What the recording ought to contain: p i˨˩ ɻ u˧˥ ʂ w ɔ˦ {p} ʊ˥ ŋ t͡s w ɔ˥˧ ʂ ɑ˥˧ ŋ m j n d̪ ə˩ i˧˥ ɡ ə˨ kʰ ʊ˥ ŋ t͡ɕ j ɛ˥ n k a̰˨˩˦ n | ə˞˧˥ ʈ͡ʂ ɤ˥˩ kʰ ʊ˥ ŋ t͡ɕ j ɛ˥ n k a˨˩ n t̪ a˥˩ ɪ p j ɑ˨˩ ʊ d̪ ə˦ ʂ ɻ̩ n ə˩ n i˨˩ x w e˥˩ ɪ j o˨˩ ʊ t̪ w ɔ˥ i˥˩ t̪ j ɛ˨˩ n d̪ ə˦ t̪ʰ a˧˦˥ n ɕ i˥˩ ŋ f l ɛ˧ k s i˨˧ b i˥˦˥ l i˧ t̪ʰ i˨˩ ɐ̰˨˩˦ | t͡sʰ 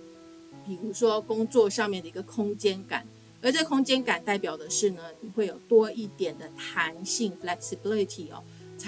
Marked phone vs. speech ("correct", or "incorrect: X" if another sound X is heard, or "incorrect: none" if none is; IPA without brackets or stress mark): incorrect: k